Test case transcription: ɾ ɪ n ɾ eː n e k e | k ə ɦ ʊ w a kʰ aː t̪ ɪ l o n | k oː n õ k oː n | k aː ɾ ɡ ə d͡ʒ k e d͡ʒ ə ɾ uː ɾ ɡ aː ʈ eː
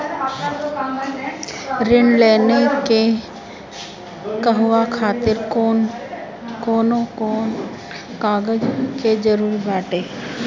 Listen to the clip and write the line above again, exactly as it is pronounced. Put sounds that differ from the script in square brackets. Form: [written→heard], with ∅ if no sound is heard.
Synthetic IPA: ɾ ɪ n [ɾ→l] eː n e k e | k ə ɦ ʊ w a kʰ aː t̪ ɪ [l→ɾ] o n | k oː n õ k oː n | k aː [ɾ→∅] ɡ ə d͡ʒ k e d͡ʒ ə ɾ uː ɾ [ɡ→b] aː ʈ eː